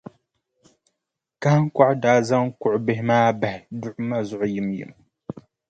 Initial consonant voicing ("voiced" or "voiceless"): voiceless